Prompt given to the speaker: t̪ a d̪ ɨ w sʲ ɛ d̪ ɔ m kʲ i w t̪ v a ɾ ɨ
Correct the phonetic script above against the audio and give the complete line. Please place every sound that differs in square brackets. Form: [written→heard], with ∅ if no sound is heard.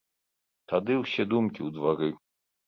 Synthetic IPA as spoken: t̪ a d̪ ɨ w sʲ ɛ d̪ [ɔ→u] m kʲ i w [t̪→d̪] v a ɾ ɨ

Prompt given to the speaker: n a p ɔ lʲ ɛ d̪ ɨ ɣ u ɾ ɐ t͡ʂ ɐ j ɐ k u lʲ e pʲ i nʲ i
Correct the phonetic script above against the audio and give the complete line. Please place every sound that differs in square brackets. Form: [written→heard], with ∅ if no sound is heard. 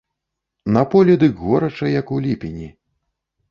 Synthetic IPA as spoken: n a p ɔ lʲ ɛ d̪ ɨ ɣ [u→ɔ] ɾ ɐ t͡ʂ ɐ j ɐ k u lʲ [e→i] pʲ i nʲ i

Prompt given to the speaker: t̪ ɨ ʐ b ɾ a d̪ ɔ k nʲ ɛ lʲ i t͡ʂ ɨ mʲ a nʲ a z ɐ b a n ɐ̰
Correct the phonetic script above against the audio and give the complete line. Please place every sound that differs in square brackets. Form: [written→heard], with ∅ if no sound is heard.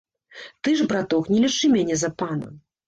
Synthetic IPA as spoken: t̪ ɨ ʐ b ɾ a [d̪→t̪] ɔ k nʲ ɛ lʲ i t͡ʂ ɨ mʲ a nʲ [a→ɛ] z ɐ [b→p] a n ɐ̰

